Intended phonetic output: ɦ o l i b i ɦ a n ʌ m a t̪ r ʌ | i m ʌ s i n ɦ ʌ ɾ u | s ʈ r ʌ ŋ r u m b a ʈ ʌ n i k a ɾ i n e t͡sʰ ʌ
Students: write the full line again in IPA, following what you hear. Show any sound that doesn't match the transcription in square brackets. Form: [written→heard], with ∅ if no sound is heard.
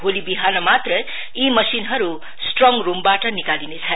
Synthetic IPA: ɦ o l i b i ɦ a n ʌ m a t̪ r ʌ | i m ʌ s i n ɦ ʌ ɾ u | s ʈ r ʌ ŋ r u m b a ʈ ʌ n i k a [ɾ→l] i n e t͡sʰ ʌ